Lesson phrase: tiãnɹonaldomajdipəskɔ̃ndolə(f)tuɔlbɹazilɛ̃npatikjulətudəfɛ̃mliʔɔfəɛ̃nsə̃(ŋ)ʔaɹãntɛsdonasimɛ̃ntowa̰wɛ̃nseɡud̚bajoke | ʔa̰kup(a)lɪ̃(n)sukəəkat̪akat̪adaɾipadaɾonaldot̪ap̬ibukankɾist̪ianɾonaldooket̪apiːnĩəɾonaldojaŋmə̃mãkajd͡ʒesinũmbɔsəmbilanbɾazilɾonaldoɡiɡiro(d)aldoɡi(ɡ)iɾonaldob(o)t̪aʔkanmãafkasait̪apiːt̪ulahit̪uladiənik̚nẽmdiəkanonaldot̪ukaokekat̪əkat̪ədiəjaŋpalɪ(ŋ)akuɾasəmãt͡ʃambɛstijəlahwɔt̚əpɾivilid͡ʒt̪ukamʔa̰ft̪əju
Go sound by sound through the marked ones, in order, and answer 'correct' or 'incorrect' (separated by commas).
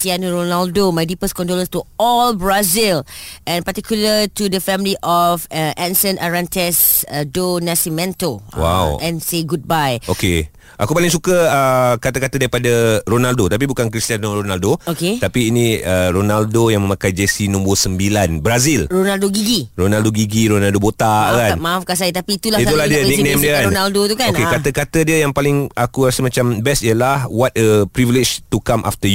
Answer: incorrect, incorrect, correct, incorrect, incorrect, correct, correct, correct